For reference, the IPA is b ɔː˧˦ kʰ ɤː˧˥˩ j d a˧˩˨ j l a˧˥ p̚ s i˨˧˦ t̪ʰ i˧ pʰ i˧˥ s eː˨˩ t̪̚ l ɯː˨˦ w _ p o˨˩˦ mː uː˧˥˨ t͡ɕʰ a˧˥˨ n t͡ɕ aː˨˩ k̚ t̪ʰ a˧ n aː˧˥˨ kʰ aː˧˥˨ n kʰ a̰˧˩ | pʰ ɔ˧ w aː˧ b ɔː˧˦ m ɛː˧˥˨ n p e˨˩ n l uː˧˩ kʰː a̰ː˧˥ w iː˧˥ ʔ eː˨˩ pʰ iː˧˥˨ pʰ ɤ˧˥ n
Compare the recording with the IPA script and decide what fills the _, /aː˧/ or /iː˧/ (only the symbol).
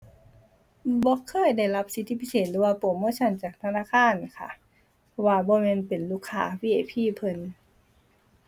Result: aː˧